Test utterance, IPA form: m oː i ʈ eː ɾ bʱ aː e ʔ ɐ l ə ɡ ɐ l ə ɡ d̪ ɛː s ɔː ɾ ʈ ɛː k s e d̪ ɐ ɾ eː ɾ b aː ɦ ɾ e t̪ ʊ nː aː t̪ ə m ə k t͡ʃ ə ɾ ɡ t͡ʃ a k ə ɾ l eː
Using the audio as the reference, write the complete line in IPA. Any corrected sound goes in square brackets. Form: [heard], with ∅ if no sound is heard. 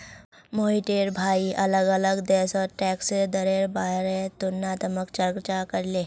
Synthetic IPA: m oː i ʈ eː ɾ bʱ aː [i] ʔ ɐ l ə ɡ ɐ l ə ɡ d̪ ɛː s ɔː ɾ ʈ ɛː k s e d̪ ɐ ɾ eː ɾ b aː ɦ ɾ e t̪ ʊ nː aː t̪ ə m ə k t͡ʃ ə ɾ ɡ t͡ʃ a k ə ɾ l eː